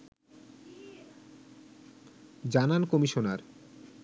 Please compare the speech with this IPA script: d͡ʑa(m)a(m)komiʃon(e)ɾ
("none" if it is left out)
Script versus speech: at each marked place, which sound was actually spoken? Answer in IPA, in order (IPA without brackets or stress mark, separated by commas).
n, n, a